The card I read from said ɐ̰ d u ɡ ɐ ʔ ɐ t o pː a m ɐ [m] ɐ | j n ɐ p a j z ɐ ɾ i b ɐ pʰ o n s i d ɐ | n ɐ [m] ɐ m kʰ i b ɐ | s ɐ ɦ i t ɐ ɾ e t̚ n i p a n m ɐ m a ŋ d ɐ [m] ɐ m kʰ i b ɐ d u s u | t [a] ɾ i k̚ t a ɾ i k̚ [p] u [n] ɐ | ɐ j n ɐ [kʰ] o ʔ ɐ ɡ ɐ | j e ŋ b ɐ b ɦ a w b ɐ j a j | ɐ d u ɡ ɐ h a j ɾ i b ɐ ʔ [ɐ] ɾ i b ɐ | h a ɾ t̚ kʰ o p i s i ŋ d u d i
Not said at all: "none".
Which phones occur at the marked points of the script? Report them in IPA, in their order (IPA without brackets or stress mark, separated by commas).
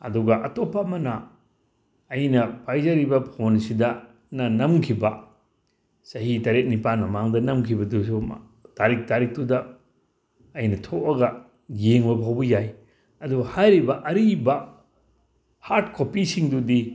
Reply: n, n, n, a, t, d, tʰ, ɐ